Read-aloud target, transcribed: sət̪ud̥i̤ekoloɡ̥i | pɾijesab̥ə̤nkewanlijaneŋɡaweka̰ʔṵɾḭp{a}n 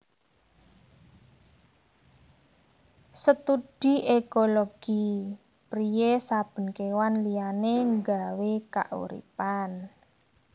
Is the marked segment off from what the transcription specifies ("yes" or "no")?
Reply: no